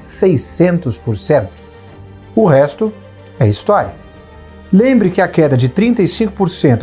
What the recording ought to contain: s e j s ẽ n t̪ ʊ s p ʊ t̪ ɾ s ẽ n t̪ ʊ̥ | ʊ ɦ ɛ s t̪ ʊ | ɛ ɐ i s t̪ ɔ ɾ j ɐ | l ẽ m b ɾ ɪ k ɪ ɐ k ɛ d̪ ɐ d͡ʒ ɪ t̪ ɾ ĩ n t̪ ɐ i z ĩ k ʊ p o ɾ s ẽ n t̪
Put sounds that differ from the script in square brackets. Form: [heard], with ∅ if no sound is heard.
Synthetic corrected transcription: s e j s ẽ n t̪ ʊ s p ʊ [∅] ɾ s ẽ n t̪ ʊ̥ | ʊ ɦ ɛ s t̪ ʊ | ɛ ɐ i s t̪ ɔ ɾ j ɐ | l ẽ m b ɾ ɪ k ɪ ɐ k ɛ d̪ ɐ d͡ʒ ɪ t̪ ɾ ĩ n t̪ ɐ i [s] ĩ k ʊ p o ɾ s ẽ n t̪